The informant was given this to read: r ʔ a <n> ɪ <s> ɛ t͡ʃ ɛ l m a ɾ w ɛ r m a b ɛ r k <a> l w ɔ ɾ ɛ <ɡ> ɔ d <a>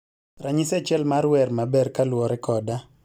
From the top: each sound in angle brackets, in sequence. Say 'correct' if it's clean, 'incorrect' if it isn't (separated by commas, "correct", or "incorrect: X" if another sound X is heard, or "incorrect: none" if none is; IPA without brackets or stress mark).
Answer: incorrect: ɲ, correct, correct, incorrect: k, correct